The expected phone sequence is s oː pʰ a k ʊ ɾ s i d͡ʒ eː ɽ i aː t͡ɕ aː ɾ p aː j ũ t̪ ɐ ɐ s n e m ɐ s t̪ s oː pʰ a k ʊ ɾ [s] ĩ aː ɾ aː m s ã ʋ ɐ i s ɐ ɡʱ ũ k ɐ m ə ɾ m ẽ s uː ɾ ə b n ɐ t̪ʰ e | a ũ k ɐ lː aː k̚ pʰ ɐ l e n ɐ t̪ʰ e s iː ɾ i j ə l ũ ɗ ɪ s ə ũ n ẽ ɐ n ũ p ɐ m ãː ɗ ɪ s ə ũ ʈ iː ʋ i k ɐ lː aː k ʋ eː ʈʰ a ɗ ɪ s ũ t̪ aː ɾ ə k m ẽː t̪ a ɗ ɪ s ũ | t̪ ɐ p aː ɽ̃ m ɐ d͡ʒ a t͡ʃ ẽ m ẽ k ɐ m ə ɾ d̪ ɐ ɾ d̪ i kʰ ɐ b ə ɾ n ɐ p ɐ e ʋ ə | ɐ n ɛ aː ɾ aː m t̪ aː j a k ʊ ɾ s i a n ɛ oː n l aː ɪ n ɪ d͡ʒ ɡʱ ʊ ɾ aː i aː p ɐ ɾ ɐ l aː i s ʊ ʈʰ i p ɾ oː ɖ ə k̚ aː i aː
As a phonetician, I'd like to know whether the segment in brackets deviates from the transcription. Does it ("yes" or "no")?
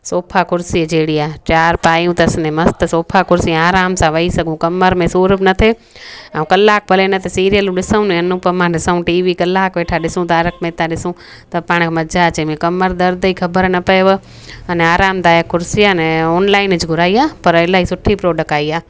no